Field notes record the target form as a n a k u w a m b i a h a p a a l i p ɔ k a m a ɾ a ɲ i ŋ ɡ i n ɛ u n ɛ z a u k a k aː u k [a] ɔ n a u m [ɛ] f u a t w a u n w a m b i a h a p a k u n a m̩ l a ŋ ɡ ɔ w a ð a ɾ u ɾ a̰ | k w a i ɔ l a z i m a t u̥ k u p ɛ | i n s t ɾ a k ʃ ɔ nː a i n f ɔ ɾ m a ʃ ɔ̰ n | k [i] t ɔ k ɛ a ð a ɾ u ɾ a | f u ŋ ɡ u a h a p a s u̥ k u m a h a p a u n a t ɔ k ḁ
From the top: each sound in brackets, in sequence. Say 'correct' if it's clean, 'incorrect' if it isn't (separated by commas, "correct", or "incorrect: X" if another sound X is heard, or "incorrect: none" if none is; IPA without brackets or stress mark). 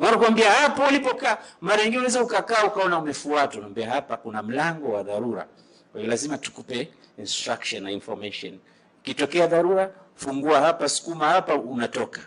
correct, correct, correct